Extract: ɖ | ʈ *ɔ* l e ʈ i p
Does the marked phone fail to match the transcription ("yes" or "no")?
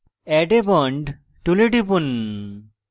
yes